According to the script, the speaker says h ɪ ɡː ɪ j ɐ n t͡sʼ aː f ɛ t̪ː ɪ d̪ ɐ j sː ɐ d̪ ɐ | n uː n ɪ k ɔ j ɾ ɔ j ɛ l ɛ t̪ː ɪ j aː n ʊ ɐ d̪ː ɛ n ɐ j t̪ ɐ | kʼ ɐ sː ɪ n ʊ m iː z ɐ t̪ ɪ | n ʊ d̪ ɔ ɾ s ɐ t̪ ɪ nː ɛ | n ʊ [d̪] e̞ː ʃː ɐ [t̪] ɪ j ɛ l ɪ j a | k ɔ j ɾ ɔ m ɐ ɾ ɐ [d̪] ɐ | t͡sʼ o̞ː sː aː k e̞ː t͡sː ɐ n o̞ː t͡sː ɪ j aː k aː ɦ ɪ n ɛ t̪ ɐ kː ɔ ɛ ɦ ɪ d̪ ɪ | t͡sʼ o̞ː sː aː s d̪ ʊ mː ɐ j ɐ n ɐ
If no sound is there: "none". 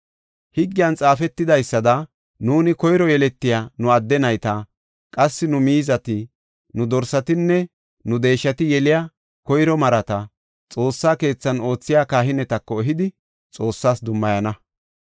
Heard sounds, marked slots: d̪, t̪, t̪

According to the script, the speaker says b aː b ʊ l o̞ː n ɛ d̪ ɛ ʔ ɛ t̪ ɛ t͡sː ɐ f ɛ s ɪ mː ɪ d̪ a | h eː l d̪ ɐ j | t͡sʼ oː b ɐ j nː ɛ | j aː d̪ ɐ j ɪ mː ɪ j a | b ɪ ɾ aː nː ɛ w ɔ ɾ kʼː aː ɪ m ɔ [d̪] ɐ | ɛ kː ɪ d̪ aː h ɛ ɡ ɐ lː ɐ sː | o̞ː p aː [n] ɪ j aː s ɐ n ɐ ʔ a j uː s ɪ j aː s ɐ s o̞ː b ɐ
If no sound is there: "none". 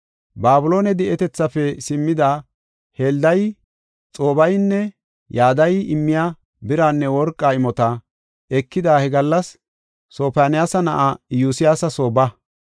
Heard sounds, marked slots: t̪, n

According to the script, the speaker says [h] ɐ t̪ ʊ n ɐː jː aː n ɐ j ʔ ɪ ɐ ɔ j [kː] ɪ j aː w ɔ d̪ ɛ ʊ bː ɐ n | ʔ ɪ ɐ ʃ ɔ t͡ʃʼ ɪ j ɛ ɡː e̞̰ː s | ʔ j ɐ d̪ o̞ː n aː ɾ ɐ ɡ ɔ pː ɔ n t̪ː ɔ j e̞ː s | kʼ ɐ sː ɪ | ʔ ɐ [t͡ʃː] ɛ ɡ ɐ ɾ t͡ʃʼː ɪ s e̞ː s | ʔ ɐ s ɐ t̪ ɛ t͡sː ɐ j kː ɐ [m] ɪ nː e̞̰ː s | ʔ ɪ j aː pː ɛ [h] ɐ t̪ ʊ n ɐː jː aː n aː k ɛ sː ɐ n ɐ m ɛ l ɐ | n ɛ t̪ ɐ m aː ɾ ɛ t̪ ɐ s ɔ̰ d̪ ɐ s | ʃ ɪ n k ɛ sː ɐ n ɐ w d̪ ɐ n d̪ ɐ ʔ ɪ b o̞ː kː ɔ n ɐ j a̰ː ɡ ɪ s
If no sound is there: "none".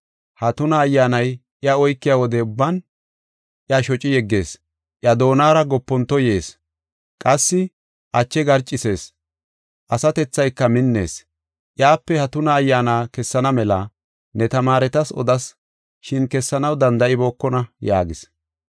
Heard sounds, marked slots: h, kː, t͡ʃː, m, h

